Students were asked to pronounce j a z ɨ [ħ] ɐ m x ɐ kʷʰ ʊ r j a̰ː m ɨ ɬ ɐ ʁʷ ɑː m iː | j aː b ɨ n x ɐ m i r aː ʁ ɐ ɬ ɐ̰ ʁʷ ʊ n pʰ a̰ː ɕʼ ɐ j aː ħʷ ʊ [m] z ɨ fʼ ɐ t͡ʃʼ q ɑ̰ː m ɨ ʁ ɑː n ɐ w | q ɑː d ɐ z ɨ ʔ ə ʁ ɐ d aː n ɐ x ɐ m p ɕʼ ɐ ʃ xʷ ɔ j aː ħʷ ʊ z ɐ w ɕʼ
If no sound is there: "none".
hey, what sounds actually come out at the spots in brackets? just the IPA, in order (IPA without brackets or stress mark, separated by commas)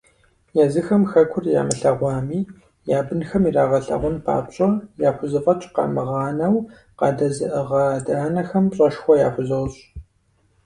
x, none